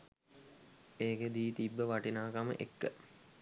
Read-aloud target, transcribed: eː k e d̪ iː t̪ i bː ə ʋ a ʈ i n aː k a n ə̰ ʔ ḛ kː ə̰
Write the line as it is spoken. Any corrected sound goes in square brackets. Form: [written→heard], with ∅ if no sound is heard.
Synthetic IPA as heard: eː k e d̪ iː t̪ i bː ə ʋ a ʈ i n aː k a [n→m] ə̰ ʔ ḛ kː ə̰